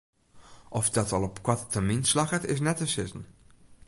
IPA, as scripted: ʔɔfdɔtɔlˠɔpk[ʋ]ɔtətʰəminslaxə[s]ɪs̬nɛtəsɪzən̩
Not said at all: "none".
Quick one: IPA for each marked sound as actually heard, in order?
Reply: w, t

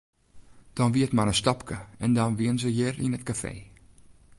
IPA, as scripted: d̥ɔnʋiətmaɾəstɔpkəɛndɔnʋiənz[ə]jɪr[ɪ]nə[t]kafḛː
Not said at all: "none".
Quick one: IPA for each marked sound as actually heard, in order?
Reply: ə, i, t

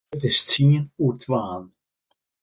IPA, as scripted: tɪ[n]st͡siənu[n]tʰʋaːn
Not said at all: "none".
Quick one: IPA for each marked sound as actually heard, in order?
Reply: none, none

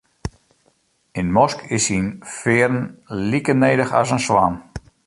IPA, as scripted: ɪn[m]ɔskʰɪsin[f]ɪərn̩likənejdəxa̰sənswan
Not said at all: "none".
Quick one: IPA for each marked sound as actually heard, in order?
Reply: m, f

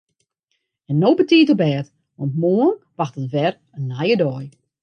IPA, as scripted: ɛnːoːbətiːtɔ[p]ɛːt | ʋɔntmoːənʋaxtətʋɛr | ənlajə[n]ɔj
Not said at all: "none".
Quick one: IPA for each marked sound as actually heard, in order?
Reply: b, d

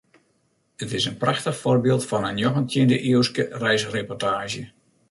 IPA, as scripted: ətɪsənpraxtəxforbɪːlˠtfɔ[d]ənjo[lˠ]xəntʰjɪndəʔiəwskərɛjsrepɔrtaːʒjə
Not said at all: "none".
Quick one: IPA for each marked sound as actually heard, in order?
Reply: n, none

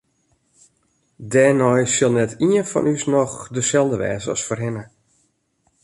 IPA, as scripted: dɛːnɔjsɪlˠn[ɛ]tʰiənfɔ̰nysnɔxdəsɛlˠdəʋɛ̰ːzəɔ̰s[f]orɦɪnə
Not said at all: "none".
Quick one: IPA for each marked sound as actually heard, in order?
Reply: ɛ, f

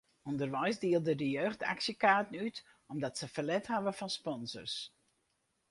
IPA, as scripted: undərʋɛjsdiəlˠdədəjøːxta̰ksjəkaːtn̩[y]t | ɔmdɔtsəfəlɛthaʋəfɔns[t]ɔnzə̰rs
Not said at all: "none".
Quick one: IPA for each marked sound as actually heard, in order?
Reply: y, p

